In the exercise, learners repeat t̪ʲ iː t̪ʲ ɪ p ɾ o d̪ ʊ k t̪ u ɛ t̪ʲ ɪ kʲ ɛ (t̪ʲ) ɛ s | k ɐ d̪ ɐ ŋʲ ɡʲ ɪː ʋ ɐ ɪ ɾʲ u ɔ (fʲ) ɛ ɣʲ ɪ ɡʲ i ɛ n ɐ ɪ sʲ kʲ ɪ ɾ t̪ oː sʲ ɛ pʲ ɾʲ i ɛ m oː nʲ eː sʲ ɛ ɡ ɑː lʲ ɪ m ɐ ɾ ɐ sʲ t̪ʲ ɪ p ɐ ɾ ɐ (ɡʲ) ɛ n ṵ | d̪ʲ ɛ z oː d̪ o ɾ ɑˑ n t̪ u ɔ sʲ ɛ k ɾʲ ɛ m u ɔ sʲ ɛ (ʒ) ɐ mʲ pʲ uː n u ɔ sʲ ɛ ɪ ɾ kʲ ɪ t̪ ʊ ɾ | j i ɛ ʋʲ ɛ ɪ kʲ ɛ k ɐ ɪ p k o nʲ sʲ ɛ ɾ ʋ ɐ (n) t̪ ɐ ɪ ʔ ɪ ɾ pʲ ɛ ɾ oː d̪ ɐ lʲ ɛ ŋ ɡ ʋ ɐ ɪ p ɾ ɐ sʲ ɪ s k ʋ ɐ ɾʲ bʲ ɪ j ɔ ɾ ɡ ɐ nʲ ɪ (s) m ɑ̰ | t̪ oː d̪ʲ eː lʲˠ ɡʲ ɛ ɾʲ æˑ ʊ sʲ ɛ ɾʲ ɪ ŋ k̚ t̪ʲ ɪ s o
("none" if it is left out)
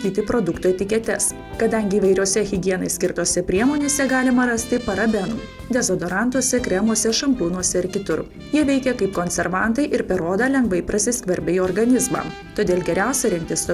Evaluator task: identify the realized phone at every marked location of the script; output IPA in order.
t̪ʲ, sʲ, bʲ, ʃ, n, z

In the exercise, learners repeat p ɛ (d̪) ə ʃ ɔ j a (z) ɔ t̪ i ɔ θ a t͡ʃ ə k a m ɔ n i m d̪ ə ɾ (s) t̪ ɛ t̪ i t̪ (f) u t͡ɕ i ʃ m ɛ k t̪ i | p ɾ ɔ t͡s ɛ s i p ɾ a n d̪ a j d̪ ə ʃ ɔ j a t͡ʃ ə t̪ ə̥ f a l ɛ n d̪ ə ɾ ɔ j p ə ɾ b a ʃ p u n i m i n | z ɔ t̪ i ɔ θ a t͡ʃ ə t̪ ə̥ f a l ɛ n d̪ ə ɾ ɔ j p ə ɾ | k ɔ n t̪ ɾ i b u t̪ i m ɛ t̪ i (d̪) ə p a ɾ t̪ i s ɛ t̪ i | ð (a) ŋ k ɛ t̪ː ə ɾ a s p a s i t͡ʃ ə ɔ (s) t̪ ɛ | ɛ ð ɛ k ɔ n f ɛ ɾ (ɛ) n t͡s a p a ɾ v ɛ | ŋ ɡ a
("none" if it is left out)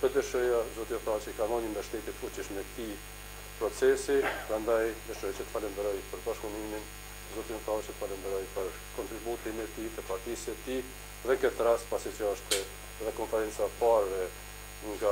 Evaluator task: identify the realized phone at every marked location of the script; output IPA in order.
d̪, z, ʃ, f, t̪, ɛ, ʃ, ɛ

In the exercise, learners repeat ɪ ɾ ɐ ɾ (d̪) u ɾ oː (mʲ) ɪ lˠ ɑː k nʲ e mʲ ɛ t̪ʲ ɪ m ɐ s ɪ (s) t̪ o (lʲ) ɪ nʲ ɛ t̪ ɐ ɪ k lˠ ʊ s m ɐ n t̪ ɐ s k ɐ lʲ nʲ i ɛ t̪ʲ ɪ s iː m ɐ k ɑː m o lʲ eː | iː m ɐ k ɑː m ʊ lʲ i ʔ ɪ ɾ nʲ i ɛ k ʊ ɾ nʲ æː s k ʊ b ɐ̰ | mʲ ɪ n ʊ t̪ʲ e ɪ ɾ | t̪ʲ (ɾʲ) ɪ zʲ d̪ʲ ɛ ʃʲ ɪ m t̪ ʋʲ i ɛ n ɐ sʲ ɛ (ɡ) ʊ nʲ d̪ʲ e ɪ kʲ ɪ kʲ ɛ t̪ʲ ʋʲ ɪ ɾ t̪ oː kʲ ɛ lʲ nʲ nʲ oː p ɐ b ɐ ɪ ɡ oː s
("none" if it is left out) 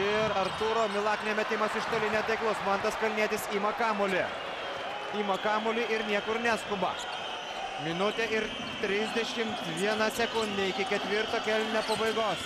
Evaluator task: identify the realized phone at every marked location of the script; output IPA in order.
t̪, mʲ, ʃ, lʲ, ɾʲ, k

